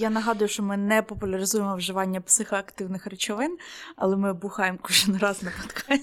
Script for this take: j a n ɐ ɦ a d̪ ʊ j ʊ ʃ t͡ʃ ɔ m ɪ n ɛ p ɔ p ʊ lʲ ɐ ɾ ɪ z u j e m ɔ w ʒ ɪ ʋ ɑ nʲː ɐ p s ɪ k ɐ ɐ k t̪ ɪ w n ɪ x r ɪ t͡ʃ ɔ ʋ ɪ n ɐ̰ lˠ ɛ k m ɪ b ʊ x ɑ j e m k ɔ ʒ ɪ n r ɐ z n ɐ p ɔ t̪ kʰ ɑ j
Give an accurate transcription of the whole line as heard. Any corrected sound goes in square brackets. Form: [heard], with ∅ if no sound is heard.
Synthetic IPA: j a n ɐ ɦ [ɑ] d̪ ʊ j ʊ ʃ t͡ʃ ɔ m ɪ n ɛ p ɔ p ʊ lʲ ɐ ɾ ɪ z u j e m ɔ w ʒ ɪ ʋ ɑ nʲː ɐ p s ɪ [x] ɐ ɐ k t̪ ɪ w n ɪ x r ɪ t͡ʃ ɔ ʋ ɪ n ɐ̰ lˠ ɛ [∅] m ɪ b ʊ x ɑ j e m k ɔ ʒ ɪ n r [ɑ] z n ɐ p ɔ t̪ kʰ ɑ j